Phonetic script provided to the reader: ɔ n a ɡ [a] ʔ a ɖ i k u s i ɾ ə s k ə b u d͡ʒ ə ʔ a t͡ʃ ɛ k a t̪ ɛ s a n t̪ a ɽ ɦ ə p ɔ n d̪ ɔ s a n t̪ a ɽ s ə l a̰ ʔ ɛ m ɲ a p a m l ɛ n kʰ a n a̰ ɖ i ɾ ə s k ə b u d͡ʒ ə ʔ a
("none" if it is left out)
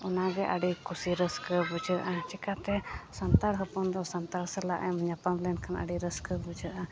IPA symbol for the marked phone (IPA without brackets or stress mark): ɛ